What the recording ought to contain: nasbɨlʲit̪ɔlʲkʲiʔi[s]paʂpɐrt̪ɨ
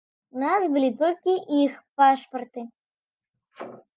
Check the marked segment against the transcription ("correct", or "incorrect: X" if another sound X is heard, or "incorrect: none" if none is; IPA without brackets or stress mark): incorrect: x